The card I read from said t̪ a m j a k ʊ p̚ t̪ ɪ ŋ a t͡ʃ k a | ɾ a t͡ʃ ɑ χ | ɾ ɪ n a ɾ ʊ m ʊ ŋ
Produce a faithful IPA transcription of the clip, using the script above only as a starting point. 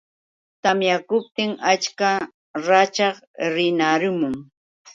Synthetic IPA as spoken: t̪ a m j a k ʊ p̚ t̪ ɪ ŋ a t͡ʃ k a | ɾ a t͡ʃ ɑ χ | ɾ ɪ n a ɾ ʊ m ʊ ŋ